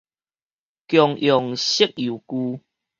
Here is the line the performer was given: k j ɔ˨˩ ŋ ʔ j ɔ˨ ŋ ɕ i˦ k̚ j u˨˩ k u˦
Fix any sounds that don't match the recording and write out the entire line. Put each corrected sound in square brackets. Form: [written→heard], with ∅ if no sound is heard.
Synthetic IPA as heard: k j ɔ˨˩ ŋ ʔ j ɔ˨ ŋ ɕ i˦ k̚ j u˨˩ k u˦